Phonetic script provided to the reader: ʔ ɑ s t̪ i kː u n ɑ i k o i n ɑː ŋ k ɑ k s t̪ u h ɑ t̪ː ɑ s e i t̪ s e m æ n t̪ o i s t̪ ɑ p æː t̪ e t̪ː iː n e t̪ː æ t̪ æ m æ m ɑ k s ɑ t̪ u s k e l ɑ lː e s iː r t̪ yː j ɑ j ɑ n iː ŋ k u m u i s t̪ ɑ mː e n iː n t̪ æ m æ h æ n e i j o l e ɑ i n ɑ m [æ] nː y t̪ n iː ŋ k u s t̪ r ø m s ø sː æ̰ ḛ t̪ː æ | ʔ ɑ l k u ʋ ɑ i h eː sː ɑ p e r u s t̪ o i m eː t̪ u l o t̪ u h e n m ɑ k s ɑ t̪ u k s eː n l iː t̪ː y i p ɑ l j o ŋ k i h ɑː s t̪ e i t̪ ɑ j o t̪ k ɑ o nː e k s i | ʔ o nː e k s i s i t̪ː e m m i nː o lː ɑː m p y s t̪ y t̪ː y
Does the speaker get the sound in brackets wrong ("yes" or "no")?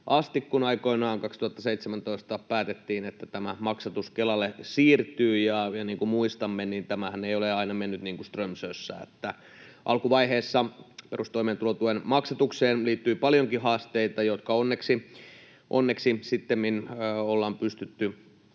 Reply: yes